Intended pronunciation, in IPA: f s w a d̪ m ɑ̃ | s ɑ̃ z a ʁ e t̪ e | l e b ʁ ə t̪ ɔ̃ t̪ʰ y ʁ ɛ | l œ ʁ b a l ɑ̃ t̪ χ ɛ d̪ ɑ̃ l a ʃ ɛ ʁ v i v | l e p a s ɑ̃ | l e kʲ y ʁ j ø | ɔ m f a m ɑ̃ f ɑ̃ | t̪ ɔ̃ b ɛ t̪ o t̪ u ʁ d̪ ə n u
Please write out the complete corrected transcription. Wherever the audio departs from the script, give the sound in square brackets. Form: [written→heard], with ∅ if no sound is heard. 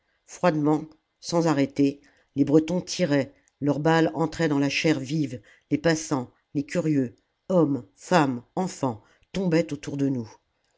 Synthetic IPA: f [s→χ] w a d̪ m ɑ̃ | s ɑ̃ z a ʁ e t̪ e | l e b ʁ ə t̪ ɔ̃ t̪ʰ [y→i] ʁ ɛ | l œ ʁ b a l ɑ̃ t̪ χ ɛ d̪ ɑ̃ l a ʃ ɛ ʁ v i v | l e p a s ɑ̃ | l e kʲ y ʁ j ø | ɔ m f a m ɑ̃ f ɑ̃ | t̪ ɔ̃ b ɛ t̪ o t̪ u ʁ d̪ ə n u